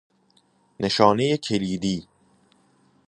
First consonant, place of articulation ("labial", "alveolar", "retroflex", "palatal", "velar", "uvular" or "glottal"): alveolar